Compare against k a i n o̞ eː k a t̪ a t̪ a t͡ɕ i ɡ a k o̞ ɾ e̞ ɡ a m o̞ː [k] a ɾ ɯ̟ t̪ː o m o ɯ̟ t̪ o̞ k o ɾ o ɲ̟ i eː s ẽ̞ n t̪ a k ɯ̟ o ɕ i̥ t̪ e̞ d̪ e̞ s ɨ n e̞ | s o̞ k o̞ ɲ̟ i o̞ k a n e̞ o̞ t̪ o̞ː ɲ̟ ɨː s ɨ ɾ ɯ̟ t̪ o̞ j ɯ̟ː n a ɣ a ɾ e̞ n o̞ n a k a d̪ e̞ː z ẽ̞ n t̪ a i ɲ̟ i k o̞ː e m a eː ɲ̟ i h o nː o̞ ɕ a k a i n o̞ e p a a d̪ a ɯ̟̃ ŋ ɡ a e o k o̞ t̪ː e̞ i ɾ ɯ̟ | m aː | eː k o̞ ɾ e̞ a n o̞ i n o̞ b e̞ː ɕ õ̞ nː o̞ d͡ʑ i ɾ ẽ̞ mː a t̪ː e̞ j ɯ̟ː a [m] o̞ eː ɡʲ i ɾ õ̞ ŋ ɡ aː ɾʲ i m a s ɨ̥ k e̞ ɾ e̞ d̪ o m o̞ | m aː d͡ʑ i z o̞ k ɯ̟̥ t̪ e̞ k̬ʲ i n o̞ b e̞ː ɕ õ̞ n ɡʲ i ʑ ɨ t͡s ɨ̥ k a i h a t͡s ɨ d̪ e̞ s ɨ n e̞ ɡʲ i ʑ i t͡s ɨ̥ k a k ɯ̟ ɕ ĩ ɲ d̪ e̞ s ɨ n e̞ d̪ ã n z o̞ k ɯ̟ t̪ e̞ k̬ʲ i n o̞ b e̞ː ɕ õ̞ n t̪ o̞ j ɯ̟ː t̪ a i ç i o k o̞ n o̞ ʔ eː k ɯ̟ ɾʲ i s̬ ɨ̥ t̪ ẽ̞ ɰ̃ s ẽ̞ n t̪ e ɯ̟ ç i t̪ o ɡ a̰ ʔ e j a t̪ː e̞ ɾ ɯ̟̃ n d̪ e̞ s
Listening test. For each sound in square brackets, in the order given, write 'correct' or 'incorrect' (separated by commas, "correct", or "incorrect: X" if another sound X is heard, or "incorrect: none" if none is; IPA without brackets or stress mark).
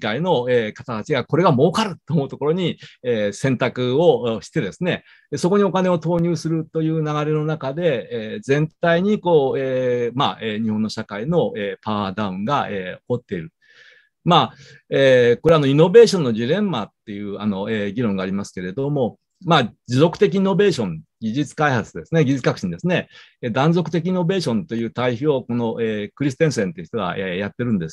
correct, incorrect: n